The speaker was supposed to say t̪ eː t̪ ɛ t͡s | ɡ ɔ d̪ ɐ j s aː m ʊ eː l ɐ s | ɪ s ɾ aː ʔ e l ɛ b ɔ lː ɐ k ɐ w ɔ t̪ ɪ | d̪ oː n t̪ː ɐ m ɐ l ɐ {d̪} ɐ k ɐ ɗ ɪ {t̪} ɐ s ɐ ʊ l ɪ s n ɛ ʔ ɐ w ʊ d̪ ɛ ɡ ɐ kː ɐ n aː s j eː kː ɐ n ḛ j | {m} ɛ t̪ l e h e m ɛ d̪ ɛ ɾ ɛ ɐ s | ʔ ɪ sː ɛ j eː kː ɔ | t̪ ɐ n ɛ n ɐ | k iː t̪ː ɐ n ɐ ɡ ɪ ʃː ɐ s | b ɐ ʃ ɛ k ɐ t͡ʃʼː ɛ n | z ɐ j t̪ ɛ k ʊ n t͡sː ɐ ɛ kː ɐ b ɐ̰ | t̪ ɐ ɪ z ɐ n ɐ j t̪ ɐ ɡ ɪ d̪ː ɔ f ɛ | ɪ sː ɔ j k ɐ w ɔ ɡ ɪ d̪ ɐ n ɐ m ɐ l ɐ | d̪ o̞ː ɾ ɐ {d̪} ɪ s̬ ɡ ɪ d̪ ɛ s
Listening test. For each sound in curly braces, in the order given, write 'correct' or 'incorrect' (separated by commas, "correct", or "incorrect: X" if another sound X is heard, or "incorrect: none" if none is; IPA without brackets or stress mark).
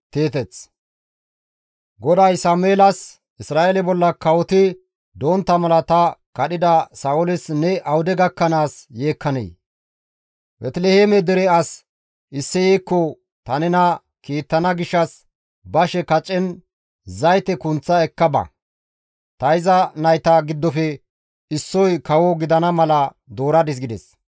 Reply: incorrect: t̪, incorrect: d̪, incorrect: b, correct